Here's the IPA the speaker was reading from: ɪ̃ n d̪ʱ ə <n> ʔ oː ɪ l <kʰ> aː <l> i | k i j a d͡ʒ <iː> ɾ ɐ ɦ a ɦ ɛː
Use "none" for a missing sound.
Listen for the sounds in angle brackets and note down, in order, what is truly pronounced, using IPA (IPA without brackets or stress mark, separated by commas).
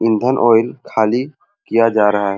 n, kʰ, l, aː